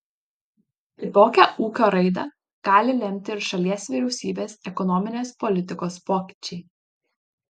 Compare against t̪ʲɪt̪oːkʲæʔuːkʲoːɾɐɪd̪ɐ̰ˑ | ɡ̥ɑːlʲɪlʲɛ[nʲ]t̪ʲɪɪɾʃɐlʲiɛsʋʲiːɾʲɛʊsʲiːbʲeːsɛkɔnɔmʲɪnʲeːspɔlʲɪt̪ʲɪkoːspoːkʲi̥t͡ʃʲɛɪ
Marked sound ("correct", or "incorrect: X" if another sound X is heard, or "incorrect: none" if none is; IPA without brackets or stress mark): incorrect: mʲ